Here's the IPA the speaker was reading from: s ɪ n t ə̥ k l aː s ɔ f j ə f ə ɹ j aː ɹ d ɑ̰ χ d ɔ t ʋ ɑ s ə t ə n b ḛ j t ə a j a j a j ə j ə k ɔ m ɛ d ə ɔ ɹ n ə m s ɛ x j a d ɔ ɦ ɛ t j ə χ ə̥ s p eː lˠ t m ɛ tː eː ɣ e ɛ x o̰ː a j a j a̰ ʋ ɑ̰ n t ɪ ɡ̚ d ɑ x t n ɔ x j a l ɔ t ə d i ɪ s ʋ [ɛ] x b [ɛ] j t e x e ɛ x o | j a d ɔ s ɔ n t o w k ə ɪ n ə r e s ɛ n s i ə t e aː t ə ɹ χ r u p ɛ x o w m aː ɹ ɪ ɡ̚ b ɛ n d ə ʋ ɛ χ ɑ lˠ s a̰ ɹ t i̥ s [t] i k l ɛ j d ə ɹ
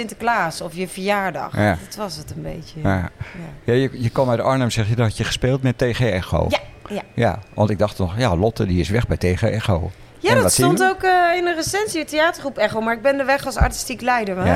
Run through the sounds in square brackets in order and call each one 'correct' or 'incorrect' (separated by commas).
correct, correct, correct